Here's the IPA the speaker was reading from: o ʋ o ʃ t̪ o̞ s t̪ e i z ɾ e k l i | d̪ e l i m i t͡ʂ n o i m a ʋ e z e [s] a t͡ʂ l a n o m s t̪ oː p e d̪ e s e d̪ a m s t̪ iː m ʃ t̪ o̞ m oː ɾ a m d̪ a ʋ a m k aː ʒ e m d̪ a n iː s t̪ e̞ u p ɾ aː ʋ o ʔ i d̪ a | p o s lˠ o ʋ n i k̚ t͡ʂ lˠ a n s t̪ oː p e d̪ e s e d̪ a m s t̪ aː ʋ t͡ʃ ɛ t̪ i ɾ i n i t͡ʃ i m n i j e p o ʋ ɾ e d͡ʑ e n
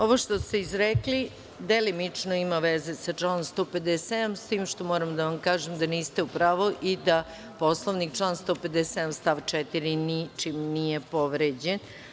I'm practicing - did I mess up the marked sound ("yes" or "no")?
no